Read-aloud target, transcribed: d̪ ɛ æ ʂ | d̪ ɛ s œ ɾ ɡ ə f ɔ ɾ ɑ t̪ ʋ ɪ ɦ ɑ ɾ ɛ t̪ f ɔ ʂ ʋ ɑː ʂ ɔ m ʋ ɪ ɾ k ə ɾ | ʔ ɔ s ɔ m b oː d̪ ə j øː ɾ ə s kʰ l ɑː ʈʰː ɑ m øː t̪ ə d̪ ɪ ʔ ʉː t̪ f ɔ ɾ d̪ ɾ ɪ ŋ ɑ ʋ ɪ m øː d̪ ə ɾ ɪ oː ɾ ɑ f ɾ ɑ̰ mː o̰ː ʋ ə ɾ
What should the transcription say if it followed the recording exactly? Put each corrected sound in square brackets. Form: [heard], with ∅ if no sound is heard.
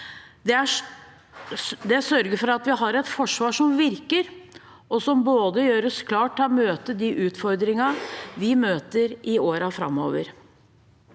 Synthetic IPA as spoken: d̪ ɛ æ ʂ | d̪ ɛ s œ ɾ ɡ ə f ɔ ɾ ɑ t̪ ʋ ɪ ɦ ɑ ɾ ɛ t̪ f ɔ ʂ ʋ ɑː ʂ ɔ m ʋ ɪ ɾ k ə ɾ | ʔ ɔ s ɔ m b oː d̪ ə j øː ɾ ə s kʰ l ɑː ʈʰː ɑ m øː t̪ ə d̪ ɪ ʔ ʉː t̪ f ɔ ɾ d̪ ɾ ɪ ŋ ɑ ʋ ɪ m øː [t̪] ə ɾ ɪ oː ɾ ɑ f ɾ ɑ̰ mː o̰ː ʋ ə ɾ